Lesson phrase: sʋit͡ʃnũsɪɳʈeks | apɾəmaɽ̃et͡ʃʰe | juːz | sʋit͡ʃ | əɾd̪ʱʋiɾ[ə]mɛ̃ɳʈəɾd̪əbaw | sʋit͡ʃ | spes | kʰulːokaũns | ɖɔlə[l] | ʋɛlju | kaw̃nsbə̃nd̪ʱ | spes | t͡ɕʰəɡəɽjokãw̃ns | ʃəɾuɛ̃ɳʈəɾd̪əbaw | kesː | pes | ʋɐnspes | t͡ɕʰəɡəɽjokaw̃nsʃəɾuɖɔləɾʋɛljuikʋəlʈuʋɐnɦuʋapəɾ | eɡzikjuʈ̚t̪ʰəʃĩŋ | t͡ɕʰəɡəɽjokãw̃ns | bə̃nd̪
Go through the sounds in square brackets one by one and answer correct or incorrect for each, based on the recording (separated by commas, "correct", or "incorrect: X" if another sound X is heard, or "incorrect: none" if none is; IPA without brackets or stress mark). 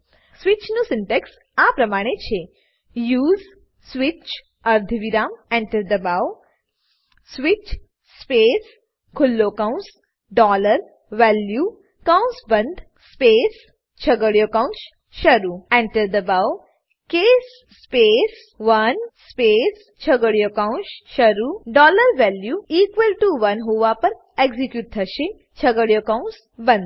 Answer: incorrect: a, incorrect: ɾ